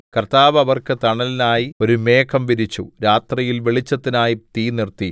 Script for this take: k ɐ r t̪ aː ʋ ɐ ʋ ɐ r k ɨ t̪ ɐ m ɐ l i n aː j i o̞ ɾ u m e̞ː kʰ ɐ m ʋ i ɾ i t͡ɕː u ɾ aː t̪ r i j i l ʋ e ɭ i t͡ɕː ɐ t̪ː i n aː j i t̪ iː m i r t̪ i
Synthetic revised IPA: k ɐ r t̪ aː ʋ ɐ ʋ ɐ r k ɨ t̪ ɐ ɳ ɐ l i n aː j i o̞ ɾ u m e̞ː kʰ ɐ m ʋ i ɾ i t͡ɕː u ɾ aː t̪ r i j i l ʋ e ɭ i t͡ɕː ɐ t̪ː i n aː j i t̪ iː n i r t̪ i